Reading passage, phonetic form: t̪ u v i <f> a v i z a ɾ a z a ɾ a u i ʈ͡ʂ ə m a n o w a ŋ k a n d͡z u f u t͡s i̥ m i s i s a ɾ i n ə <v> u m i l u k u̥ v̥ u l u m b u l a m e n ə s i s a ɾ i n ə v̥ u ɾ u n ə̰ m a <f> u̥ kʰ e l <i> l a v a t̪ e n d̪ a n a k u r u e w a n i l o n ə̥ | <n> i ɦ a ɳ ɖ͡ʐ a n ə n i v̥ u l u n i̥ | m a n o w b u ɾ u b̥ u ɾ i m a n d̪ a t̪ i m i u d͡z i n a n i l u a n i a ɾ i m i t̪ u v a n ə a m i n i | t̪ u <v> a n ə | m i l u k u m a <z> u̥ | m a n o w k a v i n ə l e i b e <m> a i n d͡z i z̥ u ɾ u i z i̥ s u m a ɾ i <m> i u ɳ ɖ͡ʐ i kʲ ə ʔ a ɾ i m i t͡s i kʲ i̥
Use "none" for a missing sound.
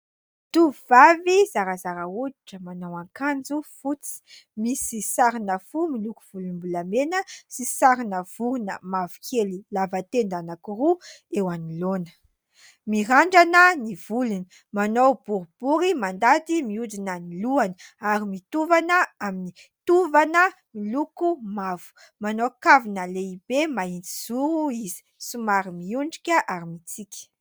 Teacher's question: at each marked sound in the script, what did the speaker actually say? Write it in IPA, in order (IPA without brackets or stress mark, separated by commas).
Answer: v, f, v, i, m, v, v, m, m